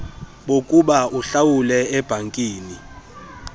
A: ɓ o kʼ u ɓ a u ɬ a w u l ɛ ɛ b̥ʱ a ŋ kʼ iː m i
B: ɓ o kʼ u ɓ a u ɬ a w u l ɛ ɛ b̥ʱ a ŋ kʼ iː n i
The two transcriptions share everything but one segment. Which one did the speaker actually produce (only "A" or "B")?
B